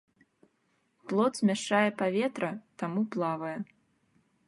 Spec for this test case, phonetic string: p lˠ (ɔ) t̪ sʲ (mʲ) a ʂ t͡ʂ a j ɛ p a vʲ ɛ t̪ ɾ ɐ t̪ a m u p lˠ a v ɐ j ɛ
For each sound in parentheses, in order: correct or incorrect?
correct, correct

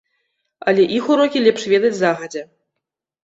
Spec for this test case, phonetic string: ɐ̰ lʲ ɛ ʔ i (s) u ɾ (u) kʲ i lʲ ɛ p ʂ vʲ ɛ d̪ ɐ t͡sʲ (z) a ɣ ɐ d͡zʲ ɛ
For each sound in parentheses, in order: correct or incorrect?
incorrect, incorrect, correct

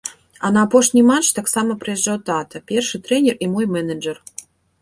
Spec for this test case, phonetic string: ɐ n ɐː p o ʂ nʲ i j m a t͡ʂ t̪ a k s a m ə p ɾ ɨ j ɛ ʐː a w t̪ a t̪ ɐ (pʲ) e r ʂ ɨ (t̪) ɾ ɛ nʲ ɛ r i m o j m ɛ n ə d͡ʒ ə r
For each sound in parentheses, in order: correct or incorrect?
correct, correct

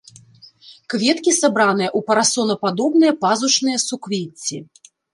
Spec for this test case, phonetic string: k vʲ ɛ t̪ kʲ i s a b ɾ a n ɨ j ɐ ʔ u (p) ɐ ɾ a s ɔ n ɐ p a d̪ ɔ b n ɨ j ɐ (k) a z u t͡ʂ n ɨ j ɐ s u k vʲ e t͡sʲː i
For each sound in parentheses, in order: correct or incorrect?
correct, incorrect

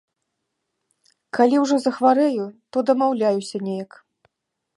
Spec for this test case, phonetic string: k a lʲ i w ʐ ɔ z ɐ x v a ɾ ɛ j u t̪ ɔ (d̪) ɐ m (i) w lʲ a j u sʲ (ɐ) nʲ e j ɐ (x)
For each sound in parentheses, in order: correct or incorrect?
correct, incorrect, correct, incorrect

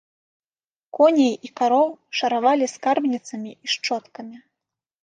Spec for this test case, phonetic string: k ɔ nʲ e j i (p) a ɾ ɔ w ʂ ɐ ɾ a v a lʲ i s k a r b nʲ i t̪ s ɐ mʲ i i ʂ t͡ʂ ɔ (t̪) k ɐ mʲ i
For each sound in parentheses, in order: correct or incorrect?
incorrect, correct

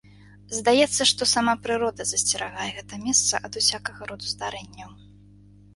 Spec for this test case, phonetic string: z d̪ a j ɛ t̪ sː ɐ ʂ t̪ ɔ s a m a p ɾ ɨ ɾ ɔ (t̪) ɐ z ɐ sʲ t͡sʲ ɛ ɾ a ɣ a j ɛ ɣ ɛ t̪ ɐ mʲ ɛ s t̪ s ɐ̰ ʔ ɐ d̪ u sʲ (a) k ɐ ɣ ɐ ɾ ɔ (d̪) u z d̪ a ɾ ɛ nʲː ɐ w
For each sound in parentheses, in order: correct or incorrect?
incorrect, correct, correct

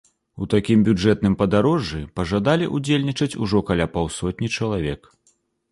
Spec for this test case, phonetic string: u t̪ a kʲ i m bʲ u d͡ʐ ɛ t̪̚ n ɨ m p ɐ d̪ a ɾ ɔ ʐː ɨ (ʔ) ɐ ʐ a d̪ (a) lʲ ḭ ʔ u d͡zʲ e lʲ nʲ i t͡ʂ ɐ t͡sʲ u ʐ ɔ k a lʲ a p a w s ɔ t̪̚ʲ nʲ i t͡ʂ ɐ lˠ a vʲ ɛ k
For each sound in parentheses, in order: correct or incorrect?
incorrect, correct

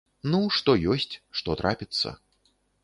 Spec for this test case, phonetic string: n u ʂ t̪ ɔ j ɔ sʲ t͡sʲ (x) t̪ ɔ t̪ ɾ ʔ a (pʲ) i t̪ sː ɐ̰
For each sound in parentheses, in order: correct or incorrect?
incorrect, correct

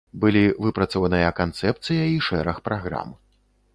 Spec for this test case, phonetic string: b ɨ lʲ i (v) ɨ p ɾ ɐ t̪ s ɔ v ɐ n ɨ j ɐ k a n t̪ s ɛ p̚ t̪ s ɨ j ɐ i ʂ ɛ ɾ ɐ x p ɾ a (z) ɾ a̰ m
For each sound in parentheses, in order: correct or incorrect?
correct, incorrect

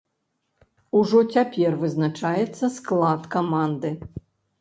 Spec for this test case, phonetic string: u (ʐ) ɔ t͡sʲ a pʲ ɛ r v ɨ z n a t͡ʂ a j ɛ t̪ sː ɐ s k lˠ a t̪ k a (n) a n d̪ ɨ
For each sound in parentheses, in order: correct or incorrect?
correct, incorrect

